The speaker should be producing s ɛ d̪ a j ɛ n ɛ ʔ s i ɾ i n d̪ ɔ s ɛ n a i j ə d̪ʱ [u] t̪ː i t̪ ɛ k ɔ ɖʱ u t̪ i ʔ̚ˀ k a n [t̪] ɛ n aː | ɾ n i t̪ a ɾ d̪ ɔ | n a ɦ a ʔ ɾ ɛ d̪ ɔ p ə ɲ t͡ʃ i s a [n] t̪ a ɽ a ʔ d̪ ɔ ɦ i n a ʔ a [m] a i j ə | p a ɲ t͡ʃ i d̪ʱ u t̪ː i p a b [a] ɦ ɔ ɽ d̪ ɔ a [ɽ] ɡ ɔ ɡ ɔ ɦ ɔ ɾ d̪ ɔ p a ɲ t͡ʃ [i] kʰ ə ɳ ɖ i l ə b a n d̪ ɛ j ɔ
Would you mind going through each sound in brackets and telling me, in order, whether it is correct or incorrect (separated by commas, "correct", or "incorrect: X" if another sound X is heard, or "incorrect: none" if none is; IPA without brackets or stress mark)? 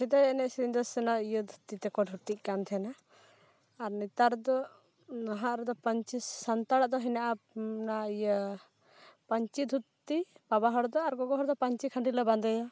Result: correct, incorrect: t̪ʰ, correct, incorrect: n, correct, incorrect: ɾ, correct